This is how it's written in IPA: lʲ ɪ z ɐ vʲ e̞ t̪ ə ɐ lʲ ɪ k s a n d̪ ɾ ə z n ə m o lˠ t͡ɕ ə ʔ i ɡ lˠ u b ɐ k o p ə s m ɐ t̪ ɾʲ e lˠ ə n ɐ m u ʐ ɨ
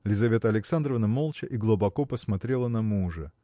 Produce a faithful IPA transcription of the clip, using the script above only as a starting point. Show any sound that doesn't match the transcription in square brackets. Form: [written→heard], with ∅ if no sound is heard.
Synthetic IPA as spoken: lʲ ɪ z ɐ vʲ e̞ t̪ ə ɐ lʲ ɪ k s a n d̪ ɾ ə [z→v] n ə m o lˠ t͡ɕ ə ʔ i ɡ lˠ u b ɐ k o p ə s m ɐ t̪ ɾʲ e lˠ ə n ɐ m u ʐ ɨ